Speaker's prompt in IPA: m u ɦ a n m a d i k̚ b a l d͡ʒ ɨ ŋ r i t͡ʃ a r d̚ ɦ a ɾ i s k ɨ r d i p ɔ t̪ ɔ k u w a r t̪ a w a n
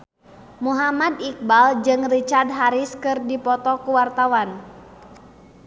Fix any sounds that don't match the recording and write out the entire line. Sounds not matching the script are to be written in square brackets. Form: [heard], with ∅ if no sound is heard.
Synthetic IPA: m u ɦ a [∅] m a d i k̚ b a l d͡ʒ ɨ ŋ r i t͡ʃ a r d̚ ɦ a ɾ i s k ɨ r d i p ɔ t̪ ɔ k u w a r t̪ a w a n